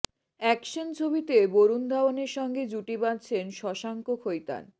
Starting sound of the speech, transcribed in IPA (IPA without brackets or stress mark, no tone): ɛ